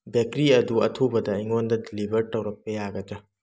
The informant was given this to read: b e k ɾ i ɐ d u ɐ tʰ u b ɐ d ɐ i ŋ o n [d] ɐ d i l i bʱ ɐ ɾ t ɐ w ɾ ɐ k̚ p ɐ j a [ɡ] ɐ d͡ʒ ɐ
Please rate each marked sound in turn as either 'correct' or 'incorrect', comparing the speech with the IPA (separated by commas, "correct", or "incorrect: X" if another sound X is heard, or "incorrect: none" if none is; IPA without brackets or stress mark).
correct, correct